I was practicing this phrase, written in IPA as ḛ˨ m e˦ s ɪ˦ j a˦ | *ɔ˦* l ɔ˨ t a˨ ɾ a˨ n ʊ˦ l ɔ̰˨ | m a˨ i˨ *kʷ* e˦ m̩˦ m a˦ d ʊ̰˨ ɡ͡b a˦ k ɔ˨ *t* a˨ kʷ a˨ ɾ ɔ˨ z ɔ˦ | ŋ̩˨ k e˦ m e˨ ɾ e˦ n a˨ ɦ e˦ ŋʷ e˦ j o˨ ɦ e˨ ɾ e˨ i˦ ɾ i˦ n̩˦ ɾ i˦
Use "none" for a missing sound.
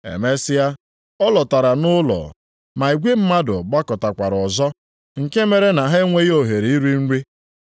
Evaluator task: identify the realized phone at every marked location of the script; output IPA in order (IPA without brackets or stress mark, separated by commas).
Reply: ɔ˦, ɡʷ, t